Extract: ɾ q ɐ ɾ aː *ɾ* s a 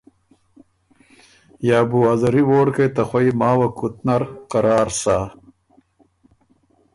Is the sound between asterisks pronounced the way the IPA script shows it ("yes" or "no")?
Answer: yes